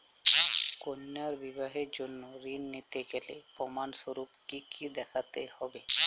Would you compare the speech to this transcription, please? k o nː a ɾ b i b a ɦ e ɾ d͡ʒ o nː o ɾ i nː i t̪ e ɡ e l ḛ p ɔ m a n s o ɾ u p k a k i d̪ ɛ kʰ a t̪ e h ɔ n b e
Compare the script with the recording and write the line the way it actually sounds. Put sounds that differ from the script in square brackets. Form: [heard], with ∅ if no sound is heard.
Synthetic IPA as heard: k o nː a ɾ b i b a ɦ e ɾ d͡ʒ o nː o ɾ i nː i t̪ e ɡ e l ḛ p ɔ m a n s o ɾ u p k [i] k i d̪ ɛ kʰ a t̪ e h ɔ [∅] b e